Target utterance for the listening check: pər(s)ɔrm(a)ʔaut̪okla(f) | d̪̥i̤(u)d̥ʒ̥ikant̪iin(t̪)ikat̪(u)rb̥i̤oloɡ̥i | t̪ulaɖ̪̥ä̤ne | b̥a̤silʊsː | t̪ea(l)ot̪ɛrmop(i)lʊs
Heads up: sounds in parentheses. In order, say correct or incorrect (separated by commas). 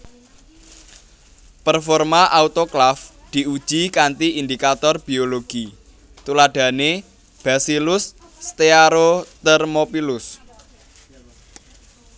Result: incorrect, correct, correct, correct, incorrect, incorrect, incorrect, correct